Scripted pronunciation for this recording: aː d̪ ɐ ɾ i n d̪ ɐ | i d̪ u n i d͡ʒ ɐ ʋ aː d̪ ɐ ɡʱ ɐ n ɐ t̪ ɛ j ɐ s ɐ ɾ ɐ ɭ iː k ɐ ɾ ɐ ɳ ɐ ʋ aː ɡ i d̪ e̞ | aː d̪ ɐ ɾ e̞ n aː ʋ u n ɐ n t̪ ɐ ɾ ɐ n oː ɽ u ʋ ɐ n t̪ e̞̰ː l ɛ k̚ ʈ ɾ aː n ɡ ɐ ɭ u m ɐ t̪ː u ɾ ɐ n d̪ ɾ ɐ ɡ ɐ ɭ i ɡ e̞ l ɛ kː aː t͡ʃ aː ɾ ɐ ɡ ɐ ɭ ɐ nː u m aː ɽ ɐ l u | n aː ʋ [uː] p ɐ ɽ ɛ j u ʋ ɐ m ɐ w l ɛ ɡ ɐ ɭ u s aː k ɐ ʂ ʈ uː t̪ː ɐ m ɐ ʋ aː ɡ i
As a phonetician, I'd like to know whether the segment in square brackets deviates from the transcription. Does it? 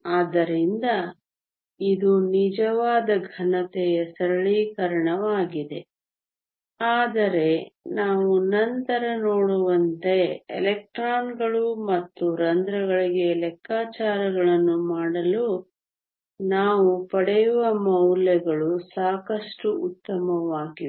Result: yes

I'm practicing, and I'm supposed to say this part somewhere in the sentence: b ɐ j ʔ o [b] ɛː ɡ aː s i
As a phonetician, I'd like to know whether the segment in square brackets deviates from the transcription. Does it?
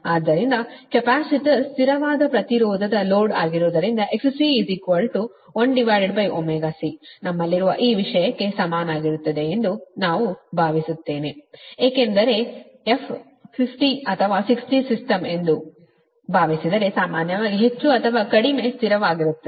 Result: yes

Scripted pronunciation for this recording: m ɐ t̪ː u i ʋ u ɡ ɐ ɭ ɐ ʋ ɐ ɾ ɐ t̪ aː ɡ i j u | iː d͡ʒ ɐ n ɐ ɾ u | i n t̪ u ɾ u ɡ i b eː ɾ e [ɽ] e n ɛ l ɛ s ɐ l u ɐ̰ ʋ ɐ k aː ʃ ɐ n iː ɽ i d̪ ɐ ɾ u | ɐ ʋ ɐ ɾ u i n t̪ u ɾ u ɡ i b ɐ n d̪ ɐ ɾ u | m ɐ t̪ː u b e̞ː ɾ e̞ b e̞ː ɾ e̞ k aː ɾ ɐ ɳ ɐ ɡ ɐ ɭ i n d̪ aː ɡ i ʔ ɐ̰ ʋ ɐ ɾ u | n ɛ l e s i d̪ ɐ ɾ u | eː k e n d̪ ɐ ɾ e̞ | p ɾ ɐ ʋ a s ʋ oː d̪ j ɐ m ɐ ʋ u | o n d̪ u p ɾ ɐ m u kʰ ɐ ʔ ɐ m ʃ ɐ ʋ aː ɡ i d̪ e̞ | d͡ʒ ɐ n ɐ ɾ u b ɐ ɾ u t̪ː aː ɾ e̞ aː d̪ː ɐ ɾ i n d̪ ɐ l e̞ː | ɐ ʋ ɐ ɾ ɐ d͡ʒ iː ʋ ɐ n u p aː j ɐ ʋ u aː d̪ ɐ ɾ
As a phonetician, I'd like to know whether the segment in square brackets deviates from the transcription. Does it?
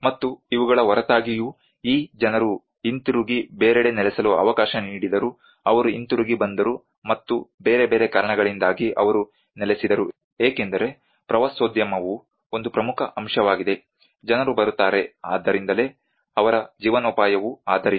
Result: no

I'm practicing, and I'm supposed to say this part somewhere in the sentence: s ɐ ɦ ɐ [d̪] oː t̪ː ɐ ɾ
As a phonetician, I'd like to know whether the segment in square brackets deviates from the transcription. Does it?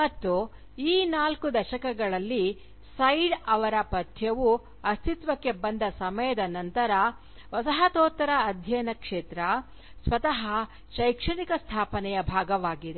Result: yes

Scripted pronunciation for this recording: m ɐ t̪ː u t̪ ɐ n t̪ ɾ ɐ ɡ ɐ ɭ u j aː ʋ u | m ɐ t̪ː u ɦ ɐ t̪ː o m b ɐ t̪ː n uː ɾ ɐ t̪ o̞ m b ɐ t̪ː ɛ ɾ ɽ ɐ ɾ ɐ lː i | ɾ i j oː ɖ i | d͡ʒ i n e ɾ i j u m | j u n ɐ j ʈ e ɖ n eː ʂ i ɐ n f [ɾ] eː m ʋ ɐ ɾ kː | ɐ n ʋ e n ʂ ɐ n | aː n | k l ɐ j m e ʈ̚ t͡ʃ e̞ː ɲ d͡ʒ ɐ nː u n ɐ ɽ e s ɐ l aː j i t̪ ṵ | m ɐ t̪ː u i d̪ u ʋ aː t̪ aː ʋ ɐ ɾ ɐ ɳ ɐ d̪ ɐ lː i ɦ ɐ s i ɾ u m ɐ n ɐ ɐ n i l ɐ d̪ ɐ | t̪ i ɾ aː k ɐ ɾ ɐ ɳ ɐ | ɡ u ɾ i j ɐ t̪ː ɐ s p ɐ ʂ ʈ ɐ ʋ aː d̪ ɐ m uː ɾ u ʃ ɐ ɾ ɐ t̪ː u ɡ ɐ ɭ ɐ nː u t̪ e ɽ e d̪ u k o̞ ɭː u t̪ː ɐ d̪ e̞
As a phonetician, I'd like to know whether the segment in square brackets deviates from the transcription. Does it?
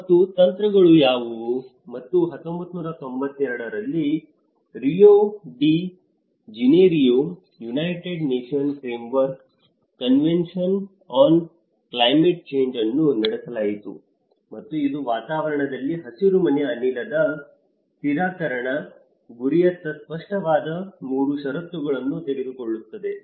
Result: no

